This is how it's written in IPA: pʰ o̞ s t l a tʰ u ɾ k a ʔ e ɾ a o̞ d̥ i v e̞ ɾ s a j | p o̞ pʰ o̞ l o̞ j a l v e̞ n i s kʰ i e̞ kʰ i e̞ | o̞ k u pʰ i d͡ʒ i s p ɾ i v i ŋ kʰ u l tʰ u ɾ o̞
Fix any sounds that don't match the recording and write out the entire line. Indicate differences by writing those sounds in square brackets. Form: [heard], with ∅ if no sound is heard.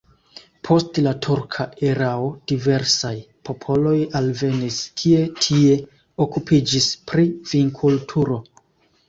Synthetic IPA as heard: pʰ o̞ s t l a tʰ u ɾ [kʰ] a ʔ e ɾ a o̞ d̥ i v e̞ ɾ s a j | p o̞ pʰ o̞ l o̞ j a l v e̞ n i s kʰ i e̞ [tʰ] i e̞ | o̞ k u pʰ i d͡ʒ i s p ɾ i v i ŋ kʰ u l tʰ u ɾ o̞